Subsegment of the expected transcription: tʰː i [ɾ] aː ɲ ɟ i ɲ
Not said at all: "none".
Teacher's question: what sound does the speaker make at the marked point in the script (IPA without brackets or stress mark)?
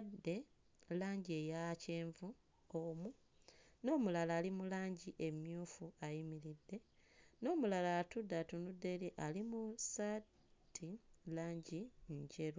l